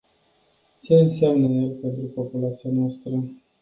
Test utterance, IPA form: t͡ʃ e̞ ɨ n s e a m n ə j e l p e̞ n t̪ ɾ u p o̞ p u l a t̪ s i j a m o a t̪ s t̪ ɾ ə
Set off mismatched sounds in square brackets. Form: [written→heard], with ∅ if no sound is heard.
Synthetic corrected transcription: t͡ʃ e̞ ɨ n s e a m n ə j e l p e̞ n t̪ ɾ u p o̞ p u l a t̪ s i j a [m→n] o a [t̪→∅] s t̪ ɾ ə